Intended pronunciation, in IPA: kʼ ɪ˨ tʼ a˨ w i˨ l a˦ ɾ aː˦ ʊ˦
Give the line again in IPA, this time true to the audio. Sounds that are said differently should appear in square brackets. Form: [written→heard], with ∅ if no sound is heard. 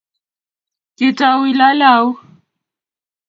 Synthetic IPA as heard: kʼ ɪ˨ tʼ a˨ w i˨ l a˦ [ɾ→l] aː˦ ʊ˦